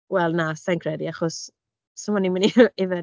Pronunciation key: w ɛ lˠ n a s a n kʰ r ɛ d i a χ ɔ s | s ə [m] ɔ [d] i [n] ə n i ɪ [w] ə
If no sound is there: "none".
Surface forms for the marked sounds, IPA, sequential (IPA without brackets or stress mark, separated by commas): m, n, m, v